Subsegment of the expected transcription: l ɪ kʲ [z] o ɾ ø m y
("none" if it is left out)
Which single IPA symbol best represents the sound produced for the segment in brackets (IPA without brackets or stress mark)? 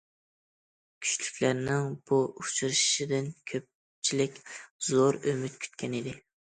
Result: z